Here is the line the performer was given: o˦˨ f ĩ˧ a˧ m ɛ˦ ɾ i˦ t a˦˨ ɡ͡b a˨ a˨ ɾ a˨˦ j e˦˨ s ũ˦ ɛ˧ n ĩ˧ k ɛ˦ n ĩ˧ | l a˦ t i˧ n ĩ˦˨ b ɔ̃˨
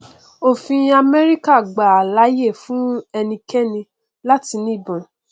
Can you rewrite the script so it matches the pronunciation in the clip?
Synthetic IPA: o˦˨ f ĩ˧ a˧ m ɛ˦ ɾ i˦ k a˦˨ ɡ͡b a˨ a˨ l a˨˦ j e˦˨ f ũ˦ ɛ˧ n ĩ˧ k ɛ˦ n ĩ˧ | l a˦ t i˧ n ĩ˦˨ b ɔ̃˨